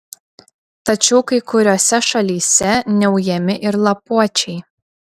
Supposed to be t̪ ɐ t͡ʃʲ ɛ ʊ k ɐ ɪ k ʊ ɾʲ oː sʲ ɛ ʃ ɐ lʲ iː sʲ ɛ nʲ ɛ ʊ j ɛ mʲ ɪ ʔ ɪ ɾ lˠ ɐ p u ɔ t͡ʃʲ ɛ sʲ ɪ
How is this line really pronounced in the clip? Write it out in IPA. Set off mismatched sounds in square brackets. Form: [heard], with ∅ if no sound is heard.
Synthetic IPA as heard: t̪ ɐ t͡ʃʲ ɛ ʊ k ɐ ɪ k ʊ ɾʲ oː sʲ ɛ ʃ ɐ lʲ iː sʲ ɛ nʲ ɛ ʊ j ɛ mʲ ɪ ʔ ɪ ɾ lˠ ɐ p u ɔ t͡ʃʲ ɛ [∅] ɪ